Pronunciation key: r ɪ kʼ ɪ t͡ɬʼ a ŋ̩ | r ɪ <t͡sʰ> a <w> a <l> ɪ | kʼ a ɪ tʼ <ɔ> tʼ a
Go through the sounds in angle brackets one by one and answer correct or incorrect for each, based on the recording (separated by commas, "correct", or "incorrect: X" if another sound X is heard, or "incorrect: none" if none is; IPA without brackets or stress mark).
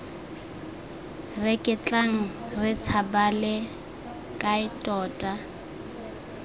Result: correct, incorrect: b, correct, incorrect: ɔː